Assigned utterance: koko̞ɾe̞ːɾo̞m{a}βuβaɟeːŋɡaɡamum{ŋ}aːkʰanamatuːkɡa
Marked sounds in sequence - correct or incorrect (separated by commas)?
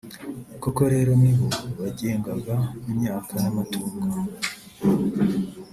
incorrect, incorrect